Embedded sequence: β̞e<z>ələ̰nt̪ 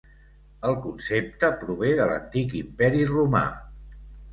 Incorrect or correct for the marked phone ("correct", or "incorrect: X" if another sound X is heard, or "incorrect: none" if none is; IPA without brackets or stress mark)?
incorrect: ð